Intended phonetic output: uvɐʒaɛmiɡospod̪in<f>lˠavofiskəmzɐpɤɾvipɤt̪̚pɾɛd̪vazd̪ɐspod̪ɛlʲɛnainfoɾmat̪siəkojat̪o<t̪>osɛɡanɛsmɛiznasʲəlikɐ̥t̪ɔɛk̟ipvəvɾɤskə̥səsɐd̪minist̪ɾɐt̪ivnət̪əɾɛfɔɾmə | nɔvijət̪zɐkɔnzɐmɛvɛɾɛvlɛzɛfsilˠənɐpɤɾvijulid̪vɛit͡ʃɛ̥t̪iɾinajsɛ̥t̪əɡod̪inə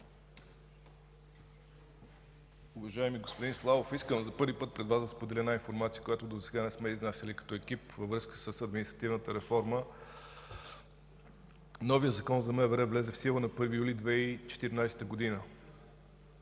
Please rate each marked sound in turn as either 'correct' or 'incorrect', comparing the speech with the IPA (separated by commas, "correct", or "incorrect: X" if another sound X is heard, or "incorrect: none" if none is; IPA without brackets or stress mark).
incorrect: s, incorrect: d̪